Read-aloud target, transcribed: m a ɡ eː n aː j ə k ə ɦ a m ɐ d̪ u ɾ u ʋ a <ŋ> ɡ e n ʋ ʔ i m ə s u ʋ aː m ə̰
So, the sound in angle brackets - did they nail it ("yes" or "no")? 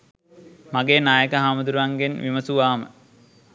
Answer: yes